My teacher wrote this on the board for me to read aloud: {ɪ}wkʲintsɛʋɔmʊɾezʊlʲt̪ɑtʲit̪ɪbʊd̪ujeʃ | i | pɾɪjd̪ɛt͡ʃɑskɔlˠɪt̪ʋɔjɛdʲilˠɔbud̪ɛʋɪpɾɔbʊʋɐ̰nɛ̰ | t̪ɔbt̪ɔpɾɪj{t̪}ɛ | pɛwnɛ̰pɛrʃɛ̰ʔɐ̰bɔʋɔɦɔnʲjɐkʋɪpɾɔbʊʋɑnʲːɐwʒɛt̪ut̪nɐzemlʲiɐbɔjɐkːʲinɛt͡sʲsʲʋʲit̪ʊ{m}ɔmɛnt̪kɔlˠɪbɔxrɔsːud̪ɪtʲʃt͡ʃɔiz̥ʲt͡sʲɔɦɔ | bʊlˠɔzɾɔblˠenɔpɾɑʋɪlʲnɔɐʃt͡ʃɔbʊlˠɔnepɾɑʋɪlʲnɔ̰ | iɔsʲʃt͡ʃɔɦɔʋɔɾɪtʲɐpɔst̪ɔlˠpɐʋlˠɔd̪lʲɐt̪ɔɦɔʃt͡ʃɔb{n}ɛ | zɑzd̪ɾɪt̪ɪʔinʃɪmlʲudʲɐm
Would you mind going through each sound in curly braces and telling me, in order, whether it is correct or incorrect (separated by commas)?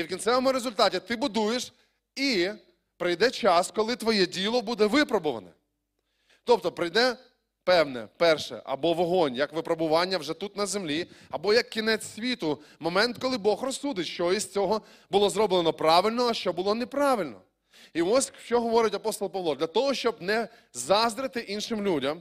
incorrect, incorrect, correct, correct